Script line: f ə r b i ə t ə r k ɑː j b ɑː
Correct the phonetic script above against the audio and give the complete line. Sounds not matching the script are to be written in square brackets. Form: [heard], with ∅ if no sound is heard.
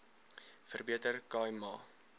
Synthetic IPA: f ə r b i ə t ə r k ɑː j [m] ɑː